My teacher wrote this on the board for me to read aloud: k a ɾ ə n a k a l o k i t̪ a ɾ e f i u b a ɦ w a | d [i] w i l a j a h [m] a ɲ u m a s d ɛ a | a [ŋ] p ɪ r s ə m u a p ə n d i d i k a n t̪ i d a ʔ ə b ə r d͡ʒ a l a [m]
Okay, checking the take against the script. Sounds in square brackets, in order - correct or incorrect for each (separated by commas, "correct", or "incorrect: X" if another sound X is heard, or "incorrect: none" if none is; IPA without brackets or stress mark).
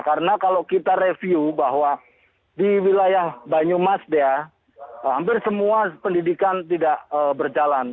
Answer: correct, incorrect: b, incorrect: m, incorrect: n